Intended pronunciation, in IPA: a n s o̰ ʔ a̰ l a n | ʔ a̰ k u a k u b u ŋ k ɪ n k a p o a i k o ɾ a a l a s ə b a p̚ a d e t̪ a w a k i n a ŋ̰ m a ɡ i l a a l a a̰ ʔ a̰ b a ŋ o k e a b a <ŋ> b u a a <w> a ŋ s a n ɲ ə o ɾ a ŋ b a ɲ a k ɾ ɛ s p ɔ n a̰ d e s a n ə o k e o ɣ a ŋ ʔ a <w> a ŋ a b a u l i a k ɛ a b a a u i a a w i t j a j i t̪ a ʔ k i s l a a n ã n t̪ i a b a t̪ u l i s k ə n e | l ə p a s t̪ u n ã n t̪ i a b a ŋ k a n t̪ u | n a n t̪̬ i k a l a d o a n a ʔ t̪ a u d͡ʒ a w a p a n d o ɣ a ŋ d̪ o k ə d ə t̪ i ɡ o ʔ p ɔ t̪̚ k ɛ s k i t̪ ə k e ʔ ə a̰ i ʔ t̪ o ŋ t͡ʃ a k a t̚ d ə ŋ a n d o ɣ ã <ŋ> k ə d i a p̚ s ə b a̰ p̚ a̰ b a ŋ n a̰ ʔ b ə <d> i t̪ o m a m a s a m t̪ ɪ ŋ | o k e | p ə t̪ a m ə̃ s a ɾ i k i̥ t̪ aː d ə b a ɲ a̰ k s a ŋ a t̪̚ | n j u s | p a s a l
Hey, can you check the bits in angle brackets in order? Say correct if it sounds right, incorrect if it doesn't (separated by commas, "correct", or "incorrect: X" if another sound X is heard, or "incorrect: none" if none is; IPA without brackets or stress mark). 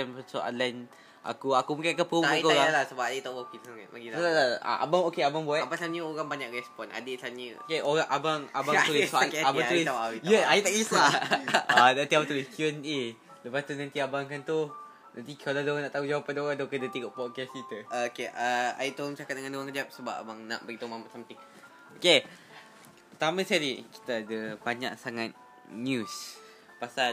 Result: correct, incorrect: b, incorrect: b, correct, incorrect: ɡ